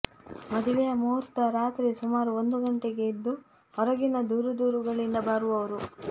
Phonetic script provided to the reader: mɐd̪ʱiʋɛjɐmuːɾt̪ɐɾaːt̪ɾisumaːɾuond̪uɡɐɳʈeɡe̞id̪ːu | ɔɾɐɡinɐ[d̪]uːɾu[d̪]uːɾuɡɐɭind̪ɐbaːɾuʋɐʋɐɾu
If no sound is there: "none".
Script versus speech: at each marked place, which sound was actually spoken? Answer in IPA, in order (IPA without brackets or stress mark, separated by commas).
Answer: d̪, d̪